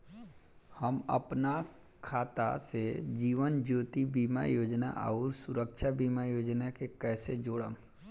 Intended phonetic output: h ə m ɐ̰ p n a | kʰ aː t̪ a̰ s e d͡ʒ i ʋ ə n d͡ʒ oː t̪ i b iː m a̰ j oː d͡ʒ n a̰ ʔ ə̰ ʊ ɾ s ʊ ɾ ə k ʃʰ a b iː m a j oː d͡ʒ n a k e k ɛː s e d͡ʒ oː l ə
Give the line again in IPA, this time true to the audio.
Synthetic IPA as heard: h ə m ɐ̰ p n a | kʰ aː t̪ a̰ s e d͡ʒ iː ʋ ə n d͡ʒ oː t̪ i b iː m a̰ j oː d͡ʒ n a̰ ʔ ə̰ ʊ ɾ s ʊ ɾ ə k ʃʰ a b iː m a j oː d͡ʒ n a k e k ɛː s e d͡ʒ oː ɽ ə